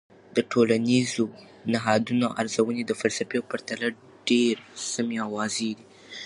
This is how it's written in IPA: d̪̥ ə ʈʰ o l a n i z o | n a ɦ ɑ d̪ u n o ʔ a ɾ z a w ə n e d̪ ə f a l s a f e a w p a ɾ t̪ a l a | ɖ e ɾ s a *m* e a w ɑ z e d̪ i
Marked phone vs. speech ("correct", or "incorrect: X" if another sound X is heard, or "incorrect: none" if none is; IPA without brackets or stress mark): correct